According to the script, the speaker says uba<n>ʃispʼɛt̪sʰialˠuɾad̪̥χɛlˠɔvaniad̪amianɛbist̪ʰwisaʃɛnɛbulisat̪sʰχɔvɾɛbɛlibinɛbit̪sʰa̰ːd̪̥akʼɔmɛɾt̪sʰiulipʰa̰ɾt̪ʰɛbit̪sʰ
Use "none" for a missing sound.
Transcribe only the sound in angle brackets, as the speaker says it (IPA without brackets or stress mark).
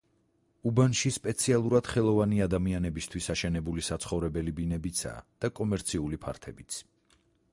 n